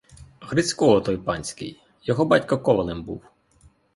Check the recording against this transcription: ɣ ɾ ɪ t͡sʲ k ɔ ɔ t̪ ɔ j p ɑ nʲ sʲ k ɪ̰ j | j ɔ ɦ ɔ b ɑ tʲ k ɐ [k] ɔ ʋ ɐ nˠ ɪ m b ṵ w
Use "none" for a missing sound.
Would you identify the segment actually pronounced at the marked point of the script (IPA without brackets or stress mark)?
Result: k